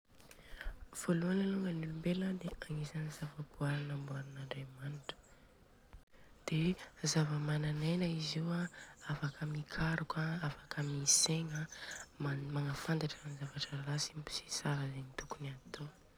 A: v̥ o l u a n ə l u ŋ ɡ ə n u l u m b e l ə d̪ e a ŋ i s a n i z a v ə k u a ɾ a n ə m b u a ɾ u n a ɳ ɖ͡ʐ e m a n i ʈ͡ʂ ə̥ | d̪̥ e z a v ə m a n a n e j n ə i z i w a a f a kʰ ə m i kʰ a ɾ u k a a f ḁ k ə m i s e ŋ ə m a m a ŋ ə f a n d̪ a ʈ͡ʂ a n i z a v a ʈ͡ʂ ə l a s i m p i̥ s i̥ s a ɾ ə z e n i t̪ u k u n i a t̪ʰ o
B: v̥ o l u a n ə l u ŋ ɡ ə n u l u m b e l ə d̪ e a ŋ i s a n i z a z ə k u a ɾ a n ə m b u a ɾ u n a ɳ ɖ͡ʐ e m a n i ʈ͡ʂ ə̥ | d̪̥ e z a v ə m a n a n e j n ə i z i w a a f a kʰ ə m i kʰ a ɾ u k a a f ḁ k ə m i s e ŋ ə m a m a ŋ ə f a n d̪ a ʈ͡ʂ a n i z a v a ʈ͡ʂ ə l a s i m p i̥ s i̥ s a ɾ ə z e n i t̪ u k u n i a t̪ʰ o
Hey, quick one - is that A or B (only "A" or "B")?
A